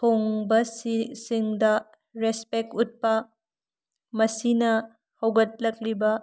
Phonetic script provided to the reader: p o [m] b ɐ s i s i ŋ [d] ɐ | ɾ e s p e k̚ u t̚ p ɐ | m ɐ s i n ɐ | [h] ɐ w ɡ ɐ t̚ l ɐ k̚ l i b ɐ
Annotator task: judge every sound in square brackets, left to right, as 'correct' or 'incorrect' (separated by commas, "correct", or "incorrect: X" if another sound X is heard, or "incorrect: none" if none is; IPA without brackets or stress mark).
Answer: incorrect: ŋ, correct, correct